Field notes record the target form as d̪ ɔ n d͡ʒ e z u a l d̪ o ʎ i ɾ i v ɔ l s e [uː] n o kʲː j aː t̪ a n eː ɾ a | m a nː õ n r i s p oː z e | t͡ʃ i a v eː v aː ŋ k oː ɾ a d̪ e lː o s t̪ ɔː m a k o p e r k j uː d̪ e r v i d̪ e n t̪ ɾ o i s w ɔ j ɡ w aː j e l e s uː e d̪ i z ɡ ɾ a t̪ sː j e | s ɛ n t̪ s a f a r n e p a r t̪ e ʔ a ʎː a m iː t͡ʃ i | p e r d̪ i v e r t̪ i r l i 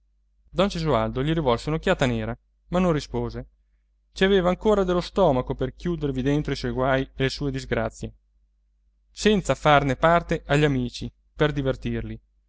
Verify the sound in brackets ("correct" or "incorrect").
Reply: incorrect